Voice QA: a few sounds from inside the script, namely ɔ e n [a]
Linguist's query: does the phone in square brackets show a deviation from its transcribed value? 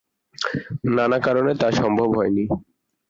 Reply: yes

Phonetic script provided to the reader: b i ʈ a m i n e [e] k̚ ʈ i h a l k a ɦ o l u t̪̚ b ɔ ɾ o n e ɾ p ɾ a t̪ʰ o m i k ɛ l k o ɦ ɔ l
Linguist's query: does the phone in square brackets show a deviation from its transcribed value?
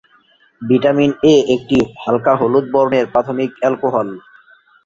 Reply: no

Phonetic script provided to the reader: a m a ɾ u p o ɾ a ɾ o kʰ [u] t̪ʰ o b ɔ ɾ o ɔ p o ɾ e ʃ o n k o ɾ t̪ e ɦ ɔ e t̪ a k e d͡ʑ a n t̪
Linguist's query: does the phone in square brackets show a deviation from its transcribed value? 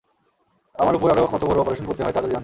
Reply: yes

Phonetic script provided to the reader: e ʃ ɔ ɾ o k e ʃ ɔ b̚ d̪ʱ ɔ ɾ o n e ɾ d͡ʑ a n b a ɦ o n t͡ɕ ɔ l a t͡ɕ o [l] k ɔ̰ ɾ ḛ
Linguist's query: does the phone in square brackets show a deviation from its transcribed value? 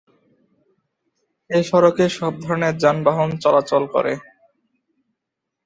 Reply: no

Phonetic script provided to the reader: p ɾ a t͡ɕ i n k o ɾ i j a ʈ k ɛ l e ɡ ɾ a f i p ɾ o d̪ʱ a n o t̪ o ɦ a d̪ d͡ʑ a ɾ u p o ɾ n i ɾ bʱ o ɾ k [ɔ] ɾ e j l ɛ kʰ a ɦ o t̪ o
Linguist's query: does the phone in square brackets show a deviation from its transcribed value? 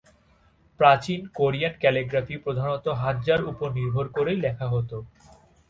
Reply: yes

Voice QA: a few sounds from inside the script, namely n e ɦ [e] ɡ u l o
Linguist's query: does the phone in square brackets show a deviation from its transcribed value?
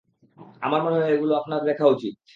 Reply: no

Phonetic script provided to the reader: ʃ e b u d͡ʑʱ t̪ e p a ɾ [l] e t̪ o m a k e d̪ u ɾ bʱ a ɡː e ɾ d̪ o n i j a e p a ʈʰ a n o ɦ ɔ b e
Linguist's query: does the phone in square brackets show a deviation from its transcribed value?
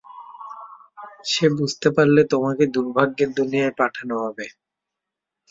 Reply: no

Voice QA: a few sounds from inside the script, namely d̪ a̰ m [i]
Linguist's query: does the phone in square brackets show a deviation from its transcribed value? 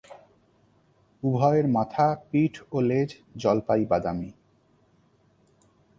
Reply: no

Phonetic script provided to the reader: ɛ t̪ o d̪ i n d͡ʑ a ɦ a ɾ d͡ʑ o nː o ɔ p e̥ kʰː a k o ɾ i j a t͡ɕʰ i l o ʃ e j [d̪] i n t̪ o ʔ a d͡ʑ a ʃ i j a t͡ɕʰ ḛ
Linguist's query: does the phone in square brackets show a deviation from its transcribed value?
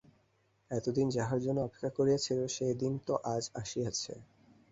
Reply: no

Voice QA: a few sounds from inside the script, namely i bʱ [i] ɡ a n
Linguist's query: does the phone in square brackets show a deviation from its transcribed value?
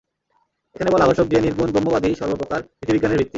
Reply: no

